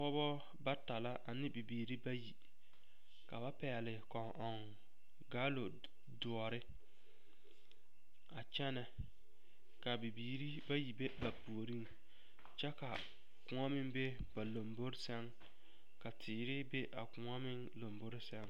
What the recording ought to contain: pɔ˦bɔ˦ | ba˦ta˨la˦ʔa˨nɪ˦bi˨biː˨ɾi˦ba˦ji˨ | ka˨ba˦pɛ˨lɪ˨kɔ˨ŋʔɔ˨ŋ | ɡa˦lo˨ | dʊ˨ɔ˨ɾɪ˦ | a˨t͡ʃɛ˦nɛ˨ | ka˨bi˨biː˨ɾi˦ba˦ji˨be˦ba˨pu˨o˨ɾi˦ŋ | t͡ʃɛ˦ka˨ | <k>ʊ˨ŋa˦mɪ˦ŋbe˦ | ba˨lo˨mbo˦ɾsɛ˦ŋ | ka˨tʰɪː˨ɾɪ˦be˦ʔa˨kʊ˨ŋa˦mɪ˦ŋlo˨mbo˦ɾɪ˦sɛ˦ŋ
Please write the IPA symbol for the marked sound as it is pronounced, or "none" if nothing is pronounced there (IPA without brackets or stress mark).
k